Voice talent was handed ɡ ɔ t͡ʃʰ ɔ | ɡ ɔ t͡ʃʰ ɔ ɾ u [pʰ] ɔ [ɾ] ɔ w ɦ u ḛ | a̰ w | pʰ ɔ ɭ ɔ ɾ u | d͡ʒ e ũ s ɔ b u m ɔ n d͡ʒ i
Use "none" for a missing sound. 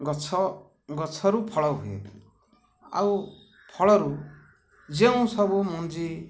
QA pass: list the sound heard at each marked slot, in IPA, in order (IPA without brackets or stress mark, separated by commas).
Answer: pʰ, ɭ